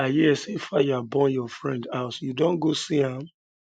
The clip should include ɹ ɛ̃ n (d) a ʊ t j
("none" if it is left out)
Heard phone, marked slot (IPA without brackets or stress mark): d